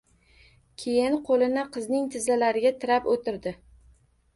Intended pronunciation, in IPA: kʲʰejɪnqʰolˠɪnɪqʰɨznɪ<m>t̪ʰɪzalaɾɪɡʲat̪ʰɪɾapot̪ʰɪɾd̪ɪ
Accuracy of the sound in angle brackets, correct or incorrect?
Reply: incorrect